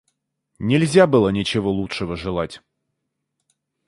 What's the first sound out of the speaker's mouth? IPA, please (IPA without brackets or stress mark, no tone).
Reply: nʲ